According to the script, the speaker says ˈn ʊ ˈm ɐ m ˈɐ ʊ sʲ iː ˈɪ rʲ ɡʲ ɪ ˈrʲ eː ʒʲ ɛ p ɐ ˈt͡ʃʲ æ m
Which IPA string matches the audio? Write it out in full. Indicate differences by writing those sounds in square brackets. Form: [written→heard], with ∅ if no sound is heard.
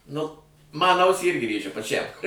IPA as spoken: ˈn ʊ ˈm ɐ [m→n] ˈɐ ʊ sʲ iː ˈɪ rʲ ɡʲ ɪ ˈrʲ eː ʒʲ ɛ p ɐ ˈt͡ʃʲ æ m

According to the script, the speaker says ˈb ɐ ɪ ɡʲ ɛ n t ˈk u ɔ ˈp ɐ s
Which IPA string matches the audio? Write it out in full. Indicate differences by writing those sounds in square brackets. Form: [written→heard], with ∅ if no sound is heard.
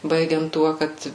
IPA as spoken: ˈb ɐ ɪ ɡʲ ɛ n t [ˈk→ˈt] u ɔ [ˈp→ˈk] ɐ [s→t]

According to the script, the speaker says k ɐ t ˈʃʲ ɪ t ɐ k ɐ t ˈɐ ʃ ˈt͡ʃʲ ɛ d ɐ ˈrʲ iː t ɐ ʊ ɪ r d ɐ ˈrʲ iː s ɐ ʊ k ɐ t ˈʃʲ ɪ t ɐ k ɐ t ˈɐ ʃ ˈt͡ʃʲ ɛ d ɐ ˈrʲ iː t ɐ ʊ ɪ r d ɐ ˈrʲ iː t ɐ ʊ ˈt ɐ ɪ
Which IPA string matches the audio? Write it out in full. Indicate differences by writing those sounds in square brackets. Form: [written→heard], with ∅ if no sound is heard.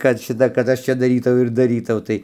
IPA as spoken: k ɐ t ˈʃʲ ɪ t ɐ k ɐ t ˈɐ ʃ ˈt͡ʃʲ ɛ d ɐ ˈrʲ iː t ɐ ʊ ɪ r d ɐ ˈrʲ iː [s→t] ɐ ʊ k ɐ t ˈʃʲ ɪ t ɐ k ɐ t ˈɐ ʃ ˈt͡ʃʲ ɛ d ɐ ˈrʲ iː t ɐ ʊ ɪ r d ɐ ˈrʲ iː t ɐ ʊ ˈt ɐ ɪ

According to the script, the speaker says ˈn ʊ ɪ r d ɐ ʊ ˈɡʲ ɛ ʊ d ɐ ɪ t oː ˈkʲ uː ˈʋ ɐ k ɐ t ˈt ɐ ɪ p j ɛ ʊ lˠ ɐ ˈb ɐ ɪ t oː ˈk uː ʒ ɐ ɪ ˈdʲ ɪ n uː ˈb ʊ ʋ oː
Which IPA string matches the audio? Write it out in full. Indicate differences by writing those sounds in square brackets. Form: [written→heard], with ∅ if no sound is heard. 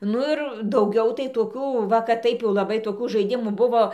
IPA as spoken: ˈn ʊ ɪ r d ɐ ʊ ˈɡʲ ɛ ʊ [d→t] ɐ ɪ t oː ˈkʲ uː ˈʋ ɐ k ɐ t ˈt ɐ ɪ p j ɛ ʊ lˠ ɐ ˈb ɐ ɪ t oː ˈk uː ʒ ɐ ɪ ˈdʲ ɪ [n→m] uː ˈb ʊ ʋ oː

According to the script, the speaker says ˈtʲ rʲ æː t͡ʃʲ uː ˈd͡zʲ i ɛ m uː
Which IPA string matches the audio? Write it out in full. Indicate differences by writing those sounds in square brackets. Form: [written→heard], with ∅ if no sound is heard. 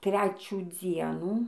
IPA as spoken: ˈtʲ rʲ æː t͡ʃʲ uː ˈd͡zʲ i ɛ [m→n] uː

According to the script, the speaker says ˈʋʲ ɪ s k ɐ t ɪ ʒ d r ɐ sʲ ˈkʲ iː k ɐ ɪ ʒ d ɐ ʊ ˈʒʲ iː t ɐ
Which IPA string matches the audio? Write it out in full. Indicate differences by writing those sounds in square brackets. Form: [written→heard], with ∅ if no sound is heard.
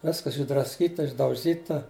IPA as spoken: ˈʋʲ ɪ s k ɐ [t→s] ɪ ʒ d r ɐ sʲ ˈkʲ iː [k→t] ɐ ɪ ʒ d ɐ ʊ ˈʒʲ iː t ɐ

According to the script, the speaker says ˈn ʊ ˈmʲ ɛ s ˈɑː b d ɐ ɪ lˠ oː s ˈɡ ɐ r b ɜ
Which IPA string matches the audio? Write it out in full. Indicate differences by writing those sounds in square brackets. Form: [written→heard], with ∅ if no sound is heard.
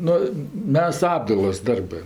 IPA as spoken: ˈn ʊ ˈmʲ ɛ s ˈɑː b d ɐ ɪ lˠ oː s [ˈɡ→ˈd] ɐ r b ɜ

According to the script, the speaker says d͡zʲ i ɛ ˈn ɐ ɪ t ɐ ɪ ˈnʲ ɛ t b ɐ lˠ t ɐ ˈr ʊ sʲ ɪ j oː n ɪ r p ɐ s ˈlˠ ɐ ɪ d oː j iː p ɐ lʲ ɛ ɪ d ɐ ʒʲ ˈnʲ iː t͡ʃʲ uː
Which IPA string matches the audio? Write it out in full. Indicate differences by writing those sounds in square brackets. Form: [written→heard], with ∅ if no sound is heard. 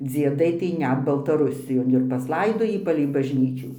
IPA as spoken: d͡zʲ i ɛ [ˈn→ˈd] ɐ ɪ t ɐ ɪ ˈnʲ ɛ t b ɐ lˠ t ɐ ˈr ʊ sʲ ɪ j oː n ɪ r p ɐ s ˈlˠ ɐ ɪ d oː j iː p ɐ lʲ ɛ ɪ [d→b] ɐ ʒʲ ˈnʲ iː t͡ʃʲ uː

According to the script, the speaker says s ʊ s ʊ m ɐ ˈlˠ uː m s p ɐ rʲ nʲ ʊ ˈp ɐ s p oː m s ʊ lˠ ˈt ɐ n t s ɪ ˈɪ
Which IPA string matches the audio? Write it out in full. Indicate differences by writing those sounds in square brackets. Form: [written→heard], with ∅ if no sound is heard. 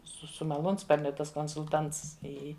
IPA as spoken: s ʊ s ʊ m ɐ ˈlˠ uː [m→n] s p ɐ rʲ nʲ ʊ [ˈp→ˈt] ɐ s [p→k] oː [m→n] s ʊ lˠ ˈt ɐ n t s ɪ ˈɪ

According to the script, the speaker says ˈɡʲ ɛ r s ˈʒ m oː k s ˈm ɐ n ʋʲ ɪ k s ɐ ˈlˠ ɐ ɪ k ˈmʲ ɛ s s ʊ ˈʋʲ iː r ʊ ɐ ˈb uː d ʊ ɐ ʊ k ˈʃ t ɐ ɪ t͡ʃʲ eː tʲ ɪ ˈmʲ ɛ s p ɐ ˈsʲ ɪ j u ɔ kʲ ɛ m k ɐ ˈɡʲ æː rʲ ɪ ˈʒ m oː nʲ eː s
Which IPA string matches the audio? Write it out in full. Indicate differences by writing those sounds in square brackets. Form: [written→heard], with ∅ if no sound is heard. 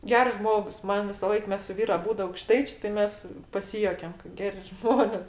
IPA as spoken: ˈɡʲ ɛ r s ˈʒ m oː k s ˈm ɐ n ʋʲ ɪ [k→∅] s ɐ ˈlˠ ɐ ɪ k ˈmʲ ɛ s s ʊ ˈʋʲ iː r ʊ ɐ ˈb uː d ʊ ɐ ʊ k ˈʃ t ɐ ɪ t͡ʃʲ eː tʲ ɪ ˈmʲ ɛ s p ɐ ˈsʲ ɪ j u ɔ kʲ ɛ m k ɐ ˈɡʲ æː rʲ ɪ ˈʒ m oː nʲ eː s

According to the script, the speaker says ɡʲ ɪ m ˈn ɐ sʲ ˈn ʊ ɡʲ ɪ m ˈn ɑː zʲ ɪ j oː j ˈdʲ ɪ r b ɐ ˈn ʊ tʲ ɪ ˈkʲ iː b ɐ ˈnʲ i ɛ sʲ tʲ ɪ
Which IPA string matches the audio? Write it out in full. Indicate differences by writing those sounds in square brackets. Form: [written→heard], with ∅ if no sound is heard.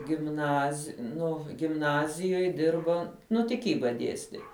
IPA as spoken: ɡʲ ɪ m ˈn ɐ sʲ ˈn ʊ ɡʲ ɪ m ˈn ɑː zʲ ɪ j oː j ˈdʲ ɪ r b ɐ ˈn ʊ tʲ ɪ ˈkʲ iː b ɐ [ˈnʲ→ˈdʲ] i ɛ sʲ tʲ ɪ

